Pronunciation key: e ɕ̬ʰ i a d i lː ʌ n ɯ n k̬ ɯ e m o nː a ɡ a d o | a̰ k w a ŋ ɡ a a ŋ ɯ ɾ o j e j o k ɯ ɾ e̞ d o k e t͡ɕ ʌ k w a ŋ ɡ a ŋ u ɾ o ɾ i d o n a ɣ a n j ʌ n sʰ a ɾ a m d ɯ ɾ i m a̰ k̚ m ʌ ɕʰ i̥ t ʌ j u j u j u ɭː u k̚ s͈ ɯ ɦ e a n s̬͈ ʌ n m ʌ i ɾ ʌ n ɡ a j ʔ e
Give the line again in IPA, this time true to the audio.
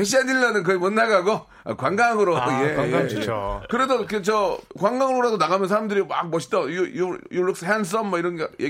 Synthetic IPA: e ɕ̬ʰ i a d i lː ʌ n ɯ n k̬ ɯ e m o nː a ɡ a ɡ o | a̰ k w a ŋ ɡ a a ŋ ɯ ɾ o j e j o k ɯ ɾ e̞ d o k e t͡ɕ ʌ k w a ŋ ɡ a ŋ ɯ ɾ o ɾ a d o n a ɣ a m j ʌ n sʰ a ɾ a m d ɯ ɾ i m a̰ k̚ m ʌ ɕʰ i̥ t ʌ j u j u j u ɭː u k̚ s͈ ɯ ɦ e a n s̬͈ ʌ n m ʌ i ɾ ʌ n ɡ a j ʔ e